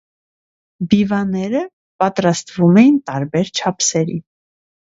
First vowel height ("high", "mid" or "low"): high